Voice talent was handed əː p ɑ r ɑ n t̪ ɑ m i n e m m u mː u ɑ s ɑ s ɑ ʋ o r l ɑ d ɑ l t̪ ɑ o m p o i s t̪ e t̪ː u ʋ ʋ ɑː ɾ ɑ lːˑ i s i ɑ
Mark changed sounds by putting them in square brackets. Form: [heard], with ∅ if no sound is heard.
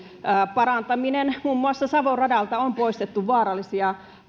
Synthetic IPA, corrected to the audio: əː p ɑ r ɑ n t̪ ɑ m i n e [n] m u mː u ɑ [sː] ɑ s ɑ ʋ o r [r] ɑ d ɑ l t̪ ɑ o m p o i s t̪ e t̪ː u ʋ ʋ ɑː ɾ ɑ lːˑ i s i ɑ